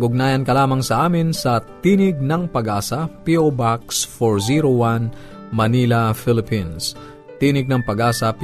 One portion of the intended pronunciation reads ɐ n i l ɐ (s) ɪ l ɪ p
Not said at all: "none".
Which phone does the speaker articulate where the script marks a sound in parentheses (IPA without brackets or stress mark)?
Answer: f